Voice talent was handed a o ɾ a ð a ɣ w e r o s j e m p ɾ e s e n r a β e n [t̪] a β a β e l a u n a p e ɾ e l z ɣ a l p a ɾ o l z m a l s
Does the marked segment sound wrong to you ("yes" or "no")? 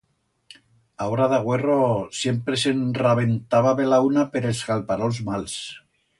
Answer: no